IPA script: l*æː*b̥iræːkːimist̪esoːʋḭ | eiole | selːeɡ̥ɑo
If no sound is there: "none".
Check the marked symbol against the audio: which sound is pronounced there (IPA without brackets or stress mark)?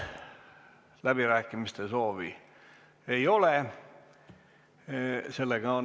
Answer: æ